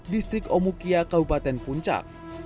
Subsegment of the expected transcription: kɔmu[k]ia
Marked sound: correct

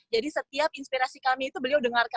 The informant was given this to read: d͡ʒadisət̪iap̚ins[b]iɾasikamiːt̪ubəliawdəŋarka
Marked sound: incorrect: p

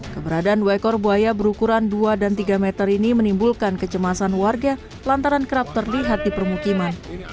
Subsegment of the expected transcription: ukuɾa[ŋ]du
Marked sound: incorrect: n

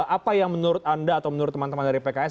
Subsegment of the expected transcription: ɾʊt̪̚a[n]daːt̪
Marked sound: correct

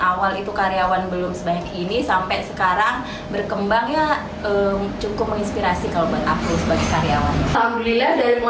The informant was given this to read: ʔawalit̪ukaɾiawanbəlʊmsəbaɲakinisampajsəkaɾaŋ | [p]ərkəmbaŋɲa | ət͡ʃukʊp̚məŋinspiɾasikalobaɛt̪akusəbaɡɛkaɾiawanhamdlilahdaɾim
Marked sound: incorrect: b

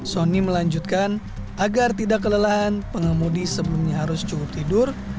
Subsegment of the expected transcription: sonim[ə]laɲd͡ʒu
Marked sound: correct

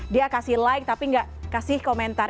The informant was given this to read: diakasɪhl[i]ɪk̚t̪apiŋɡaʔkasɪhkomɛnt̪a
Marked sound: incorrect: a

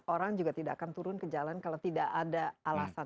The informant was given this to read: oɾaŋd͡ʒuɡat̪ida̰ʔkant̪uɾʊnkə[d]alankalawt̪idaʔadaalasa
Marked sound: incorrect: d͡ʒ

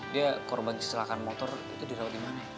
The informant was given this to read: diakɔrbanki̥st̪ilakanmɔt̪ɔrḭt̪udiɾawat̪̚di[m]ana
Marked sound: correct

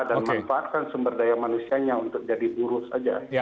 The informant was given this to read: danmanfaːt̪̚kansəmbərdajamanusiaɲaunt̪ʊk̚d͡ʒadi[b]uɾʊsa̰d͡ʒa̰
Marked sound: correct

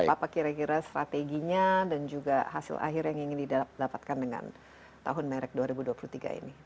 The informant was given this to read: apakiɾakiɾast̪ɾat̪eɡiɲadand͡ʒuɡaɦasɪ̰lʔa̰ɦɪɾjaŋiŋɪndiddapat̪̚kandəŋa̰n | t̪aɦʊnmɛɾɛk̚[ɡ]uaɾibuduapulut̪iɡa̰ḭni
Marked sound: incorrect: d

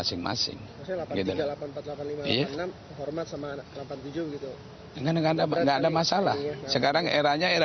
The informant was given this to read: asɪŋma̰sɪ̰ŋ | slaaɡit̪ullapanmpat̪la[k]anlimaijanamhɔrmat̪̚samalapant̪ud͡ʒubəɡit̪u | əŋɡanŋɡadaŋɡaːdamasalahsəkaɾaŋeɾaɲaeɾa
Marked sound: incorrect: p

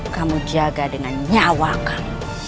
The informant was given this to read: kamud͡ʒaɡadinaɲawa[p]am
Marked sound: incorrect: k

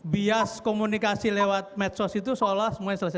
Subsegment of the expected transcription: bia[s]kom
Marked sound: correct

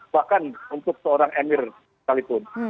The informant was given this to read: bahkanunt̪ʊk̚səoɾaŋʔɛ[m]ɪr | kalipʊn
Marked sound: correct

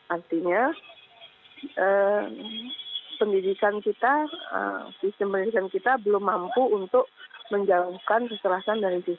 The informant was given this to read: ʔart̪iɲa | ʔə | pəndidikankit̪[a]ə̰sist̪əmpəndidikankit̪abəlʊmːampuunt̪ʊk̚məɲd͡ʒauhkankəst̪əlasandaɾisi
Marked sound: correct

